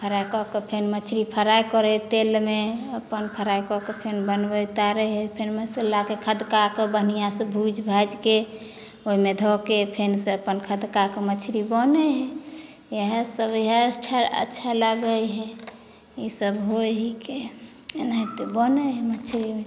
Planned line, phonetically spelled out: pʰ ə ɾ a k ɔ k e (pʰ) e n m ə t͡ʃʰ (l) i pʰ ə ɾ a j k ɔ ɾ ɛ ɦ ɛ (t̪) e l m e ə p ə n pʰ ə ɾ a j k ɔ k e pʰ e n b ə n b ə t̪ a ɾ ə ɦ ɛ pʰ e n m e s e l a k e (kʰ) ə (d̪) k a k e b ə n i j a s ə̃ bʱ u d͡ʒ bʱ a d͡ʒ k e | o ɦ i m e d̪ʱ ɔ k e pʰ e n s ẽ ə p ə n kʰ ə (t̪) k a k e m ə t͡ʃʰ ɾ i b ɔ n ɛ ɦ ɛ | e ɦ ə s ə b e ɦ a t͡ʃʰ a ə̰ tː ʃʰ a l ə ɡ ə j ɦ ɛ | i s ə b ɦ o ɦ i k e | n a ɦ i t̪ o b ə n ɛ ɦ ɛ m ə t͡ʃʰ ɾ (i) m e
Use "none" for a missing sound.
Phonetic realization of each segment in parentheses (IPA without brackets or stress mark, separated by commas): pʰ, ɾ, t̪, kʰ, d̪, d̪, i